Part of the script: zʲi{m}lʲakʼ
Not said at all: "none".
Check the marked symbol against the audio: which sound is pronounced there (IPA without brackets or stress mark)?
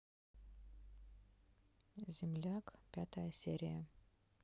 m